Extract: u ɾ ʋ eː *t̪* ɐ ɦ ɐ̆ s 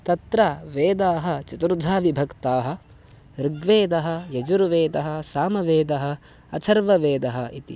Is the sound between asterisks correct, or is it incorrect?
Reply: incorrect